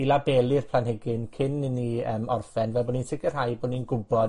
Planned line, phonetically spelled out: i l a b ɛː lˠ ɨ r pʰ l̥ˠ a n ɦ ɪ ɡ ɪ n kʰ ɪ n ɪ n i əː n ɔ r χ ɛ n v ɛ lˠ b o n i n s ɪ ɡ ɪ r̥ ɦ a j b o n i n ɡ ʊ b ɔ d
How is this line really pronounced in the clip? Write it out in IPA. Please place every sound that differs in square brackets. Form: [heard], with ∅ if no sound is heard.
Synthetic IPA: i l a b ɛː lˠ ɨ r pʰ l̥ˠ a n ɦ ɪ ɡ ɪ n kʰ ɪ n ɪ n i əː [m] ɔ r [f] ɛ n v ɛ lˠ b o n i n s ɪ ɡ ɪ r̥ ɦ a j b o n i n ɡ ʊ b ɔ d